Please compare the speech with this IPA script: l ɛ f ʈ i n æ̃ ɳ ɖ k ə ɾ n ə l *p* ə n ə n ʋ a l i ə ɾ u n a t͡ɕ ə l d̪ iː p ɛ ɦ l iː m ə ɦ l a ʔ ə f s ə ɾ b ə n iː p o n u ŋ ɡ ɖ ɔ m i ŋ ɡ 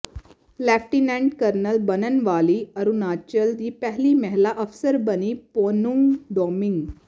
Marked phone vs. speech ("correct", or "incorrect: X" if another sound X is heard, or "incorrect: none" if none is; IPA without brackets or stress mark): incorrect: b